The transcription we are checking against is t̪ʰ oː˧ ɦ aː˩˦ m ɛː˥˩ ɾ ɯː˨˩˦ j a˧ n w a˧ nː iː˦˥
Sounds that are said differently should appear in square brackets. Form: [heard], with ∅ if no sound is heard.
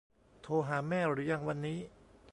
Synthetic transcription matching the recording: t̪ʰ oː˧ ɦ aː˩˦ m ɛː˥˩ ɾ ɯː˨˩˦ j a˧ [ŋ] w a˧ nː iː˦˥

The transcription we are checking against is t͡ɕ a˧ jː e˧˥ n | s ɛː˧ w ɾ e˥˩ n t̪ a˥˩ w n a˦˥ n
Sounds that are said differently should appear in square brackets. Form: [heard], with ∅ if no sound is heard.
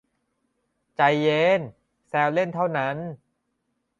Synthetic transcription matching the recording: t͡ɕ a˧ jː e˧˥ n | s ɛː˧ w [l] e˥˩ n [t̪ʰ] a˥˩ w n a˦˥ n

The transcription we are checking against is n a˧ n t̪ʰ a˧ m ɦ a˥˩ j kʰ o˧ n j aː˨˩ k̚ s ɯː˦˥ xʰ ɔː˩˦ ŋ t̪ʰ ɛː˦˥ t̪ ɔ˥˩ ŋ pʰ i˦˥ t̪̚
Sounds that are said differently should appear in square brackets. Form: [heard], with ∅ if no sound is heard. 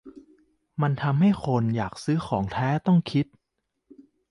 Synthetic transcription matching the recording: [m] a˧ n t̪ʰ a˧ m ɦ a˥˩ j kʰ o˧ n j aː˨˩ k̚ s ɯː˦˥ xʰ ɔː˩˦ ŋ t̪ʰ ɛː˦˥ t̪ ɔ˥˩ ŋ [kʰ] i˦˥ t̪̚

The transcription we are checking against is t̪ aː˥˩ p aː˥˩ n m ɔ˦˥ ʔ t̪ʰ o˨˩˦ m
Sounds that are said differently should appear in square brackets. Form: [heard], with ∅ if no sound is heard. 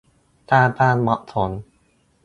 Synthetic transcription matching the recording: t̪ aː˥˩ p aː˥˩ n m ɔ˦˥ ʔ t̪ʰ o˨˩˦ [n]

